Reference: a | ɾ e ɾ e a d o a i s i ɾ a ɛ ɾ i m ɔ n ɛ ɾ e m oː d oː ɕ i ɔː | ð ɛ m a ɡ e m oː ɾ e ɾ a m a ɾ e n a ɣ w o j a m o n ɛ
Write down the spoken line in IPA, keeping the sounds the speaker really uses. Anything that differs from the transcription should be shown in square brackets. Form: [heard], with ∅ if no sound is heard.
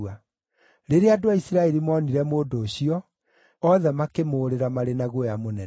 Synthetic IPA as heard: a | ɾ e ɾ e a d o a i s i ɾ a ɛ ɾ i m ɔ n [i] ɾ [ɛ] m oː d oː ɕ i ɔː | ð ɛ m a [k] e m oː ɾ e ɾ a m a ɾ e n a ɣ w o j a m o n ɛ